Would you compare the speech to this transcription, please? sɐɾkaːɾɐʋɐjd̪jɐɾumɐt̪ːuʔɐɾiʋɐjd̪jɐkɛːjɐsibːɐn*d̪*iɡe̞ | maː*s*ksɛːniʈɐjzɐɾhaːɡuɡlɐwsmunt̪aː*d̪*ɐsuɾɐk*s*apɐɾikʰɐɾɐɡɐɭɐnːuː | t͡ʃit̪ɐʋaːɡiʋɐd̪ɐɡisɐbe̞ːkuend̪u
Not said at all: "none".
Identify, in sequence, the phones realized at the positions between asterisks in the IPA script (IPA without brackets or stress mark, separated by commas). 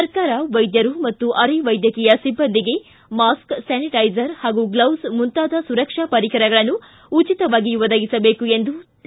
d̪, s, d̪, ʂ